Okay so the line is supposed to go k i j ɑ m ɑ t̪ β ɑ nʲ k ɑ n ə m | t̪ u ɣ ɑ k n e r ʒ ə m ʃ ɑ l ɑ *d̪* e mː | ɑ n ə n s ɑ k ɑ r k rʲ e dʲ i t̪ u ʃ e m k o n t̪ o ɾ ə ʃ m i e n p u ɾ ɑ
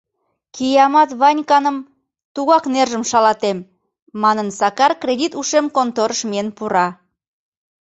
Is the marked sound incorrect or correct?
incorrect